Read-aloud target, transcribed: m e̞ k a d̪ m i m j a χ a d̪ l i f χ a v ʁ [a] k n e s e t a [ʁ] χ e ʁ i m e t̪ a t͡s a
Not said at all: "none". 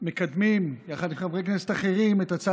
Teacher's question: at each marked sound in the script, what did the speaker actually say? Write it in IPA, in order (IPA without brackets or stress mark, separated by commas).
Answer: e, none